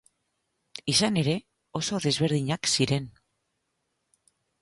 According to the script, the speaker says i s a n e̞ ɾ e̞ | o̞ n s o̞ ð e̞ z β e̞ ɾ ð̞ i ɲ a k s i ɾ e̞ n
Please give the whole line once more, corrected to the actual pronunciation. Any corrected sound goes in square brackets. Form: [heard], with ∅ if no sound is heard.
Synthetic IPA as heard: i s a n e̞ ɾ e̞ | o̞ [∅] s o̞ ð e̞ z β e̞ ɾ ð̞ i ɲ a k s i ɾ e̞ n